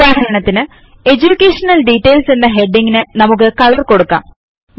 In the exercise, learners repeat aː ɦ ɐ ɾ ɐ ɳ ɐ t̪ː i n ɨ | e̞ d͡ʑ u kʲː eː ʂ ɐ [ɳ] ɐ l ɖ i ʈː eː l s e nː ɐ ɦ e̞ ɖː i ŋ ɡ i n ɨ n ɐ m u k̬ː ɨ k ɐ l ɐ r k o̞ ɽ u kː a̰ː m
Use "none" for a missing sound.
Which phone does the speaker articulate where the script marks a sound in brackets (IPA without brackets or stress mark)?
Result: n